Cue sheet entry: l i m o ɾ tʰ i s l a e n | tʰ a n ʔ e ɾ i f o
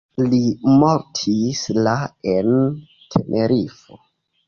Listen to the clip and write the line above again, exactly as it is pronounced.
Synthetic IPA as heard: l i m o ɾ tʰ i s l a e n | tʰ e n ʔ e ɾ i f o